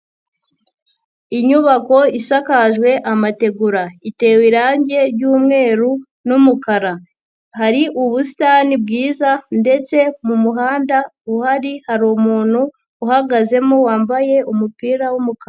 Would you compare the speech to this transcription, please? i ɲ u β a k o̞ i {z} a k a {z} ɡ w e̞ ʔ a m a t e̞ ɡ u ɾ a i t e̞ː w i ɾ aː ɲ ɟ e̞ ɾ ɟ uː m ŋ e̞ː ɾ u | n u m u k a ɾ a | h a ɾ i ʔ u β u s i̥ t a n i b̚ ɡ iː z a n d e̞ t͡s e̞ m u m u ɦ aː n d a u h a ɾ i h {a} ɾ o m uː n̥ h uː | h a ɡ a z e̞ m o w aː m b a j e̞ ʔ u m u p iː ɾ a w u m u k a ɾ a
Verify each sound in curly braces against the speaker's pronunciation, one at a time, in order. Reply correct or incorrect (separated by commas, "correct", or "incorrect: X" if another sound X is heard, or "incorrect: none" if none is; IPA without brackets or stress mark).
incorrect: s, incorrect: ʒ, correct